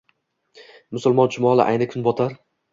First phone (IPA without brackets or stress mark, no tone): m